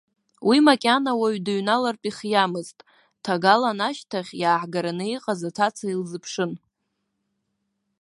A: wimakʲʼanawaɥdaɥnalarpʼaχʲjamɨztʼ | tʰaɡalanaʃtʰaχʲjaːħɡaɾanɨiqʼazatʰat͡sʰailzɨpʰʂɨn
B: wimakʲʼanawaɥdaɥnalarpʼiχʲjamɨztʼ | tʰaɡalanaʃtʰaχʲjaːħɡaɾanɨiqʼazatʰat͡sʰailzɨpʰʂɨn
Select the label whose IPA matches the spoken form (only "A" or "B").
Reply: B